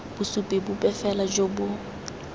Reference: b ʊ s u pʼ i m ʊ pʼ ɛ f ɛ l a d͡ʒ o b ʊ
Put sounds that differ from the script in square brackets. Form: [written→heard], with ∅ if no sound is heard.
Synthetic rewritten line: b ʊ s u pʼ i [m→b] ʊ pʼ ɛ f ɛ l a d͡ʒ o b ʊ